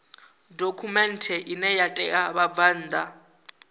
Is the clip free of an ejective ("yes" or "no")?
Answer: no